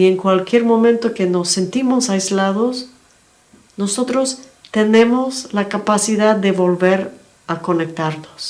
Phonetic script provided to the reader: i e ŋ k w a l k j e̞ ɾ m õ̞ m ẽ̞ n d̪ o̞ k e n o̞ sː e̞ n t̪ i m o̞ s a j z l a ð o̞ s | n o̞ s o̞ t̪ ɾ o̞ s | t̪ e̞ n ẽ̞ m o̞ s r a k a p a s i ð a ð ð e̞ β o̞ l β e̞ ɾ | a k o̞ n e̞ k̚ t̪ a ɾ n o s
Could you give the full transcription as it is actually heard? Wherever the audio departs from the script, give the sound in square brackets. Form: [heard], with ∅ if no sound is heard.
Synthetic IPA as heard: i e ŋ k w a l k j e̞ ɾ m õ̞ m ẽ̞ n [t̪] o̞ k e n o̞ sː e̞ n t̪ i m o̞ s a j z l a ð o̞ s | n o̞ s o̞ t̪ ɾ o̞ s | t̪ e̞ n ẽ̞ m o̞ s [l] a k a p a s i ð a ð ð e̞ β o̞ l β e̞ ɾ | a k o̞ n e̞ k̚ t̪ a ɾ n o s